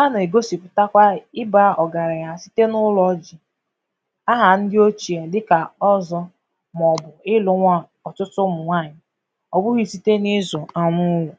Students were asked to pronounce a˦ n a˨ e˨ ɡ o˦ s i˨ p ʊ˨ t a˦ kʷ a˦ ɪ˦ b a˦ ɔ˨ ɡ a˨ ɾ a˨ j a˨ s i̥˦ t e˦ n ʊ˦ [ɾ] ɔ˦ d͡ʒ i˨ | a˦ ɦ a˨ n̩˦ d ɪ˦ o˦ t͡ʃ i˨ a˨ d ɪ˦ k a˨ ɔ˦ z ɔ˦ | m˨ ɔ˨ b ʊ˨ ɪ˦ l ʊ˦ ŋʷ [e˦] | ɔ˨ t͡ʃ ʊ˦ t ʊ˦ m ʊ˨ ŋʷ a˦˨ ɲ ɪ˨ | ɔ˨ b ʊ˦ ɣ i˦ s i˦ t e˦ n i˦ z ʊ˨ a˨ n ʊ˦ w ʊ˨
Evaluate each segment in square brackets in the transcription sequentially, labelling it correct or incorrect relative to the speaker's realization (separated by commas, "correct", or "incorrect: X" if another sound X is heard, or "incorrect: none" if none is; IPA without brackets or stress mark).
incorrect: l, incorrect: a˦